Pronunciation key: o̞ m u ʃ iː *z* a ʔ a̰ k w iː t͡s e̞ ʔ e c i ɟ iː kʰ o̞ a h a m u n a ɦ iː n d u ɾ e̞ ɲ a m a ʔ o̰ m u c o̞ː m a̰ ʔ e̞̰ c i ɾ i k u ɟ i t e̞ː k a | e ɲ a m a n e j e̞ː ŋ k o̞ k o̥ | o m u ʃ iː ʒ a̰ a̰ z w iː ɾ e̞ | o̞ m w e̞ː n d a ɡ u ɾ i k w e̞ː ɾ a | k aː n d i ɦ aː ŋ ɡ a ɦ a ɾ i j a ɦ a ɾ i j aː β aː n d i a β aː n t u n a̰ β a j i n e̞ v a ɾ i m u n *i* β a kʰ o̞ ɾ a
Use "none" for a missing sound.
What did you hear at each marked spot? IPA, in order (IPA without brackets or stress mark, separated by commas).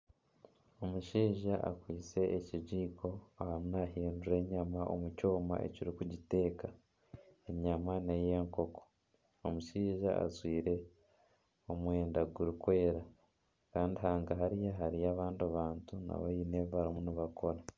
ʒ, i